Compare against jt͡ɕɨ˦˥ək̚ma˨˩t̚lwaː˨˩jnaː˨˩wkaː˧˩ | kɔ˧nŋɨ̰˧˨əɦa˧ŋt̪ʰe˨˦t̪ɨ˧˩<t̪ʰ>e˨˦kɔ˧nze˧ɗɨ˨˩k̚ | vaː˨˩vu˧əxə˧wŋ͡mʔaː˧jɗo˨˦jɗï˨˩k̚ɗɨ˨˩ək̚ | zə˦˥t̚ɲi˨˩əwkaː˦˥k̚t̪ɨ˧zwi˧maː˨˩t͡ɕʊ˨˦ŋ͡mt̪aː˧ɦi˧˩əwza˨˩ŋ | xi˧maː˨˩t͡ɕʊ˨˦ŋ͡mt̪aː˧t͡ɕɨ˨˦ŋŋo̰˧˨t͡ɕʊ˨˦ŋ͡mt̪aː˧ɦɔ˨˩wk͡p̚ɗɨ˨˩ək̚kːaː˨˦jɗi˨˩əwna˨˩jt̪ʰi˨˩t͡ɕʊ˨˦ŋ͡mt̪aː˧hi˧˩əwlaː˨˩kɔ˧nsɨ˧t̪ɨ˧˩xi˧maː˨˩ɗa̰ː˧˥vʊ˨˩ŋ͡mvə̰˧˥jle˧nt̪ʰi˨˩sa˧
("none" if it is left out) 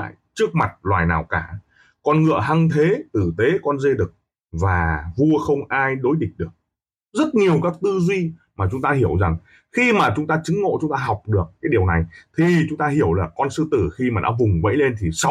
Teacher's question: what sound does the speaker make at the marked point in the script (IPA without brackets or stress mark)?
t̪